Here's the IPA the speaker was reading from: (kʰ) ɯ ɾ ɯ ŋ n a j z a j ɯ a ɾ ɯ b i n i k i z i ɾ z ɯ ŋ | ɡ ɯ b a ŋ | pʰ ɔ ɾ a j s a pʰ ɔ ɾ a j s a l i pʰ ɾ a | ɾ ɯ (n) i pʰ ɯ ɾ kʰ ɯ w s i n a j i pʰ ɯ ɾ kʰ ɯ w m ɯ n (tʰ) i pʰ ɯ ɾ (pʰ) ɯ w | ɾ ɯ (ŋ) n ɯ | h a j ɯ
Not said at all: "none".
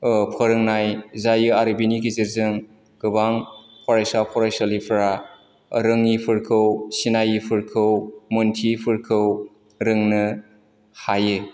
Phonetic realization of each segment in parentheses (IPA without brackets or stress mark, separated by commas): pʰ, ŋ, tʰ, kʰ, ŋ